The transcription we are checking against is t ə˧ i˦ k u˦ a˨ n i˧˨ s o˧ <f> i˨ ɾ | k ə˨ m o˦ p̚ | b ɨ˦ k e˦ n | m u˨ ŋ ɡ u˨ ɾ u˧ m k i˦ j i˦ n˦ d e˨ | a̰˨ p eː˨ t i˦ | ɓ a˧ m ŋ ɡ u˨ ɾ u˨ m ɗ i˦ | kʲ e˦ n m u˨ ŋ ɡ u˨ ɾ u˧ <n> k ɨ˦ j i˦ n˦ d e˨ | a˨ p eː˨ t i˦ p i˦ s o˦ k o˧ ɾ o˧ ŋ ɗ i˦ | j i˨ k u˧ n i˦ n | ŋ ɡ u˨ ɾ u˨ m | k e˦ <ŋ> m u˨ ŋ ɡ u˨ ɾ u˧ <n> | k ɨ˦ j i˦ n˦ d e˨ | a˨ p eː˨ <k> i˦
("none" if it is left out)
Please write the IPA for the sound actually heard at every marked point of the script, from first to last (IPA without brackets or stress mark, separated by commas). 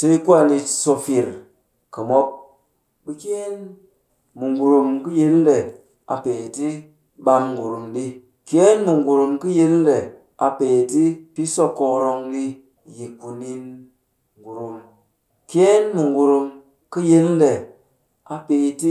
f, m, n, m, t